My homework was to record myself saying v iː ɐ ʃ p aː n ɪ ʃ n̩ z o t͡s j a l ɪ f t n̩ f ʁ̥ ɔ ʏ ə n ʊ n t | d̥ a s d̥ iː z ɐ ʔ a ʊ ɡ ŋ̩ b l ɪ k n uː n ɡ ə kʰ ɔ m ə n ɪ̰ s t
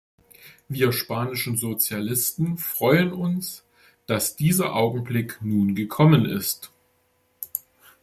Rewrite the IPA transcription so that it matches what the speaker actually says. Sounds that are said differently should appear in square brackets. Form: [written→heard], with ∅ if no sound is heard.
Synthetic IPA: v iː ɐ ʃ p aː n ɪ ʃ n̩ z o t͡s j a l ɪ [f→s] t n̩ f ʁ̥ ɔ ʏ ə n ʊ n [t→s] | d̥ a s d̥ iː z ɐ ʔ a ʊ ɡ ŋ̩ b l ɪ k n uː n ɡ ə kʰ ɔ m ə n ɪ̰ s t

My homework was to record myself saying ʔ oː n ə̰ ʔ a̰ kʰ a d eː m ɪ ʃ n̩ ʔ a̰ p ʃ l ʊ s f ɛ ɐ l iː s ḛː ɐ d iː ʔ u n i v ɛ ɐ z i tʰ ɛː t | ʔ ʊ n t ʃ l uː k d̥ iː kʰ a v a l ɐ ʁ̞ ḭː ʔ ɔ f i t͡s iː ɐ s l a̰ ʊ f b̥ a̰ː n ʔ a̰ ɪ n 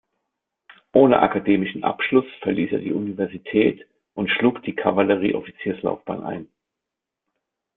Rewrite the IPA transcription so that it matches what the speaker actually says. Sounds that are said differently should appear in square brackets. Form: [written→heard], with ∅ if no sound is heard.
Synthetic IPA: ʔ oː n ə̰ ʔ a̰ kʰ a d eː m ɪ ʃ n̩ ʔ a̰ p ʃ l ʊ s f ɛ ɐ l iː s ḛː ɐ d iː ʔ u n i v ɛ ɐ z i tʰ ɛː t | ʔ ʊ n t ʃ l uː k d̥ iː kʰ a v a l [ɐ→ə] ʁ̞ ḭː ʔ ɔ f i t͡s iː ɐ s l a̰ ʊ f b̥ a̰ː n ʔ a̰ ɪ n

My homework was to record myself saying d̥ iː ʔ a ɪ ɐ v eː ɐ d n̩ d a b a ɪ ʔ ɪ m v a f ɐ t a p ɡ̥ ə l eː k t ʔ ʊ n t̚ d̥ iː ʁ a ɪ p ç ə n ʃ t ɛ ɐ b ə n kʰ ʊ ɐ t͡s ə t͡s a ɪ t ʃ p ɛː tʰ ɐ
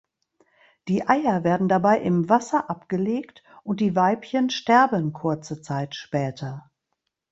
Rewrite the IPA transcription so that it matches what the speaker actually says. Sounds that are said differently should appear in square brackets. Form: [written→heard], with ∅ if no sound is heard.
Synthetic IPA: d̥ iː ʔ a ɪ ɐ v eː ɐ d n̩ d a b a ɪ ʔ ɪ m v a [f→s] ɐ [t→ʔ] a p ɡ̥ ə l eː k t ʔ ʊ n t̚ d̥ iː [ʁ→v] a ɪ p ç ə n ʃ t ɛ ɐ b ə n kʰ ʊ ɐ t͡s ə t͡s a ɪ t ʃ p ɛː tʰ ɐ

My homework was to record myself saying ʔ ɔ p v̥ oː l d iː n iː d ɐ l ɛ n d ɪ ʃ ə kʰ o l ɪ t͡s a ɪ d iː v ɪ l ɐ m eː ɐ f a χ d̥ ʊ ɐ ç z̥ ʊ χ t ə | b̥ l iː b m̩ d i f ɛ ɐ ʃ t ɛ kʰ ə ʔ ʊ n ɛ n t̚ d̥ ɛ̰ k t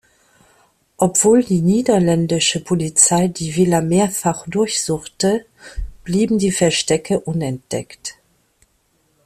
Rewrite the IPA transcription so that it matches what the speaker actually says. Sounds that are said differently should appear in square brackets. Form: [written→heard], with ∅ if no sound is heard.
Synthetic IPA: ʔ ɔ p v̥ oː l d iː n iː d ɐ l ɛ n d ɪ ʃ ə [kʰ→pʰ] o l [ɪ→i] t͡s a ɪ d iː v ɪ l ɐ m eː ɐ f a χ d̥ ʊ ɐ ç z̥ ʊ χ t ə | b̥ l iː b m̩ d [i→iː] f ɛ ɐ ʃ t ɛ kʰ ə ʔ ʊ n ɛ n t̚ d̥ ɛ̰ k t

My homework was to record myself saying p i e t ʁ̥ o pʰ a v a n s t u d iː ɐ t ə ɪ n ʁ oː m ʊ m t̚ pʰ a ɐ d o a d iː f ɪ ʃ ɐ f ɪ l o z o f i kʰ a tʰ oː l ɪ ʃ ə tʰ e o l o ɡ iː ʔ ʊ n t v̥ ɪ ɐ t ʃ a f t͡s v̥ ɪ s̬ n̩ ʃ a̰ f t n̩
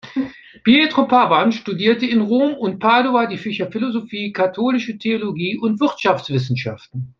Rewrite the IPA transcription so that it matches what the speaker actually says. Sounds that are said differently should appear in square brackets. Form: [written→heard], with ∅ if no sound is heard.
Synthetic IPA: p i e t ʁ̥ o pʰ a v a n [s→ʃ] t u d iː ɐ t ə ɪ n ʁ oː m ʊ [m→n] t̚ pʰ a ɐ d o a d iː f ɪ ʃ ɐ f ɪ l o z o f [i→iː] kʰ a tʰ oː l ɪ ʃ ə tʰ e o l o ɡ iː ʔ ʊ n t v̥ ɪ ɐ t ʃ a f t͡s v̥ ɪ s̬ n̩ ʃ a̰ f t n̩

